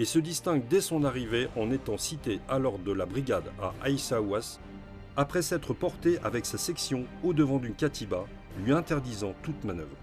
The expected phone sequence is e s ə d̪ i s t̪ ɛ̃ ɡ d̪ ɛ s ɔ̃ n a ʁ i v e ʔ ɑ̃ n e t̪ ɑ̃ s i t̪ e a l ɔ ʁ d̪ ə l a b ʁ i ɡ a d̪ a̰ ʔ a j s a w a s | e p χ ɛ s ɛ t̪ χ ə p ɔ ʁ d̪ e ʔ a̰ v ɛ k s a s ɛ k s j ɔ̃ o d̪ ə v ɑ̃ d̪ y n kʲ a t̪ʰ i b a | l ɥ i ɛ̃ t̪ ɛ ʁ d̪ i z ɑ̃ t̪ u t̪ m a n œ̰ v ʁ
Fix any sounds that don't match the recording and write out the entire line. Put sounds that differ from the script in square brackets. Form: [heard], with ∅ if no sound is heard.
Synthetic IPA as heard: e s ə d̪ i s t̪ ɛ̃ ɡ d̪ ɛ s ɔ̃ n a ʁ i v e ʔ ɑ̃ n e t̪ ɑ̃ s i t̪ e a l ɔ ʁ d̪ ə l a b ʁ i ɡ a d̪ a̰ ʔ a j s a w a s | [a] p χ ɛ s ɛ t̪ χ ə p ɔ ʁ [t̪] e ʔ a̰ v ɛ k s a s ɛ k s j ɔ̃ o d̪ ə v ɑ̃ d̪ y n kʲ a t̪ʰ i b a | l ɥ i ɛ̃ t̪ ɛ ʁ d̪ i z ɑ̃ t̪ u t̪ m a n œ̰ v ʁ